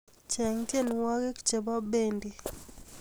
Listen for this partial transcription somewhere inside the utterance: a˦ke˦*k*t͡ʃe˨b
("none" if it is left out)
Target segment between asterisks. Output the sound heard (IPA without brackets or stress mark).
k